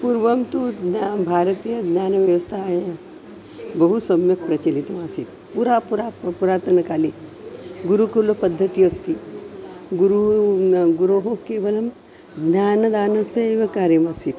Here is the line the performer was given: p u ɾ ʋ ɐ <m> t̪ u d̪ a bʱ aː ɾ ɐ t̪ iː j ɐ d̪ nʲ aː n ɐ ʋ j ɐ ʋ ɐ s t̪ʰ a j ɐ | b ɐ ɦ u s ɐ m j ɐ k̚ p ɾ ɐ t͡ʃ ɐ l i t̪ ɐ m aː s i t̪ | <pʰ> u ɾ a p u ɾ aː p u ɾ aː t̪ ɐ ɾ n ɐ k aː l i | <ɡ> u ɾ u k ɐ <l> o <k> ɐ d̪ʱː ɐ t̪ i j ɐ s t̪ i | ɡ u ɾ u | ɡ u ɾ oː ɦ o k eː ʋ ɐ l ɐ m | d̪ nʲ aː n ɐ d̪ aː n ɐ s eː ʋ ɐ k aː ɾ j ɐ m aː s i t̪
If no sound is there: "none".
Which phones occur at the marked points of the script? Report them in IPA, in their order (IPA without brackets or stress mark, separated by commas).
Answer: m, p, ɡ, l, p